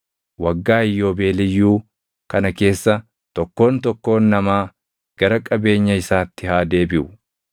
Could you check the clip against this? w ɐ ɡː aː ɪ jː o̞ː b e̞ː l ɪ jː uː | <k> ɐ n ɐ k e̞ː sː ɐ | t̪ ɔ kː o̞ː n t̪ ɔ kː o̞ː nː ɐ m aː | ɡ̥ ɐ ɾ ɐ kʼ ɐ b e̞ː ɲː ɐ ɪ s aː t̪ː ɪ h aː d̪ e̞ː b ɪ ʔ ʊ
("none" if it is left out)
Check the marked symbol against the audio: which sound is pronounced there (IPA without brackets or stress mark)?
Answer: k